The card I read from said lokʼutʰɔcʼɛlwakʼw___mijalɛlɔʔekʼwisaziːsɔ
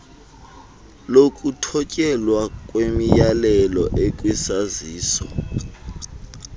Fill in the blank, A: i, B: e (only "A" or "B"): B